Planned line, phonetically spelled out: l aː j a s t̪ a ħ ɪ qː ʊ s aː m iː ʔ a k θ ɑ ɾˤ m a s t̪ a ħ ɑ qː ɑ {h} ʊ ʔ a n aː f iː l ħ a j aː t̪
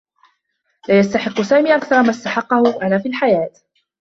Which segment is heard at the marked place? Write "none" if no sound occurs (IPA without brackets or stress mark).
h